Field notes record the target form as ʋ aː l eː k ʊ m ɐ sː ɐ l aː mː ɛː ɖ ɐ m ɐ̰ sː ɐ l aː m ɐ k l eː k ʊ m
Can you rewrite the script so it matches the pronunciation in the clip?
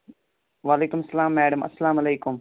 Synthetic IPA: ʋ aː l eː k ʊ m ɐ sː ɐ l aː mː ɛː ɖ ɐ m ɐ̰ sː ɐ l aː m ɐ l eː k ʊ m